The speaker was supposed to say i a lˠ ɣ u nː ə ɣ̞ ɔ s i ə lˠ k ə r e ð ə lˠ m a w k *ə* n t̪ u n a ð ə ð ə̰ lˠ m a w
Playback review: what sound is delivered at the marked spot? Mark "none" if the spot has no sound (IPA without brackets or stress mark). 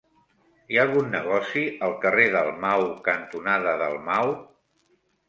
ə